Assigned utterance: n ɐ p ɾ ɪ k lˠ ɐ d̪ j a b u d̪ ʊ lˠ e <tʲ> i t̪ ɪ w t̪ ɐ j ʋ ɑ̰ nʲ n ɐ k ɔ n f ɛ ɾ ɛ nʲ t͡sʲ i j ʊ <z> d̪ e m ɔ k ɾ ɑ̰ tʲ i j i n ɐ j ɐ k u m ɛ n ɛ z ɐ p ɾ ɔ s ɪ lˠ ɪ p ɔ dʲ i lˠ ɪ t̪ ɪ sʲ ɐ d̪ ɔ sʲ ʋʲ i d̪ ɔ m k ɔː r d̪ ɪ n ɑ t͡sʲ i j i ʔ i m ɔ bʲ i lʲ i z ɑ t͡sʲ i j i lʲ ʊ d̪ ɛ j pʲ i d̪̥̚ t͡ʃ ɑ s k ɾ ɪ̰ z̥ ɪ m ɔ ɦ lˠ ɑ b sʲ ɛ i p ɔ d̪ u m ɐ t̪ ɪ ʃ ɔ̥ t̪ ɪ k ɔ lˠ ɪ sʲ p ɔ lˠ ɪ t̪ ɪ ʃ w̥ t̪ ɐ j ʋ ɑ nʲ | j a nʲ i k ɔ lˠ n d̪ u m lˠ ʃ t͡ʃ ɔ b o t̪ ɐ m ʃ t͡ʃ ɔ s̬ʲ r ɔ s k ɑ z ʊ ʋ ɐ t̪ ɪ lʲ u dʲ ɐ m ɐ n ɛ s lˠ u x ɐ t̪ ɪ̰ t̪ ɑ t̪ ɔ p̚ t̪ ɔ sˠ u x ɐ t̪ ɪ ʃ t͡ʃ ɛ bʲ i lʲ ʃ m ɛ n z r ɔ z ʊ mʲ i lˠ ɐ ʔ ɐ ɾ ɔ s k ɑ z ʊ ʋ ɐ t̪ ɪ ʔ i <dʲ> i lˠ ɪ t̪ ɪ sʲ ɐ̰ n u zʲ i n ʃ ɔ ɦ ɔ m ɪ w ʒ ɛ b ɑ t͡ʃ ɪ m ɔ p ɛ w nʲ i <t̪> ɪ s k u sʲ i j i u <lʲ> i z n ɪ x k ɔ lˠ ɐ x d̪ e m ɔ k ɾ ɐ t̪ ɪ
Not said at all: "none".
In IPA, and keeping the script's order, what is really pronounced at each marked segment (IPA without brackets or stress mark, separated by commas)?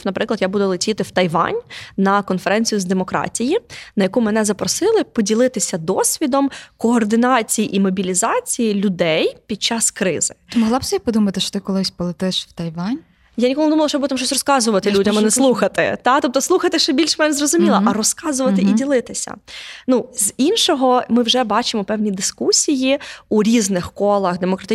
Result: tʲ, z, dʲ, d̪, ɾʲ